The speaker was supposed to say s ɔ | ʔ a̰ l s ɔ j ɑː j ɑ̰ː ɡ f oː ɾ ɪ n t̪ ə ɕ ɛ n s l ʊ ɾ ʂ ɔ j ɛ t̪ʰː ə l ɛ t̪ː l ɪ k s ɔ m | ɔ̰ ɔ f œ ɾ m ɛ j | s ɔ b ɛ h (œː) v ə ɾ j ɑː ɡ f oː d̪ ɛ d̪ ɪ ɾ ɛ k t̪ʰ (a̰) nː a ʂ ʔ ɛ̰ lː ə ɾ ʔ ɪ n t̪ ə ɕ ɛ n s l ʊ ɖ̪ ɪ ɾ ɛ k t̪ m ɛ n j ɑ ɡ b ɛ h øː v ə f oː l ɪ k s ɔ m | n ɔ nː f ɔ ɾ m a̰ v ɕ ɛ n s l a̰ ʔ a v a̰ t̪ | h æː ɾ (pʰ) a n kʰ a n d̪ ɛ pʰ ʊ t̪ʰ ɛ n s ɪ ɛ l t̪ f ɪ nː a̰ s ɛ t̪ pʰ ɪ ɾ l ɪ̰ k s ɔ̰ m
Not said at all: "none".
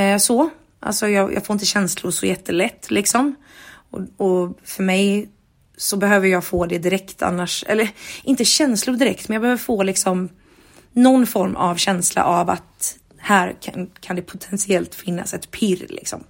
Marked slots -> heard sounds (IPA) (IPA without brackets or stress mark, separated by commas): øː, a̰, kʰ